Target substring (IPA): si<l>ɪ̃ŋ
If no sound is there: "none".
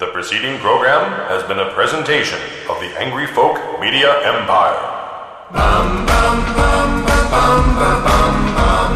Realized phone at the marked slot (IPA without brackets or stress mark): ɾ